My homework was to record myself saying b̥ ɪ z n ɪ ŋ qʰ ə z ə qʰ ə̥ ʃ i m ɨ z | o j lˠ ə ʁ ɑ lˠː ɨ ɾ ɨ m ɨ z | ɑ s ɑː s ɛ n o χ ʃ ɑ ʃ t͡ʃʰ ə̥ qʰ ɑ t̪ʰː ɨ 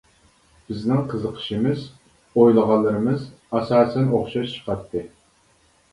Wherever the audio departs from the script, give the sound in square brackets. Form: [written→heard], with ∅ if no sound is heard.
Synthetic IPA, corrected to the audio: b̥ ɪ z n ɪ ŋ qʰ ə z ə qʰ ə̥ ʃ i m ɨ z | o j lˠ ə ʁ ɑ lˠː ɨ ɾ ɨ m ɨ z | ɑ s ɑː s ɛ n o χ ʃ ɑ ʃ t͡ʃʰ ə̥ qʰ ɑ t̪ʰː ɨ